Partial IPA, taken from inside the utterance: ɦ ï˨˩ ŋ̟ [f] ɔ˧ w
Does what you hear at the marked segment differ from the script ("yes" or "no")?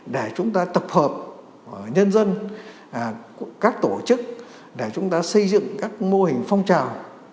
no